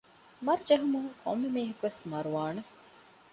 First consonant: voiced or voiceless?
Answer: voiced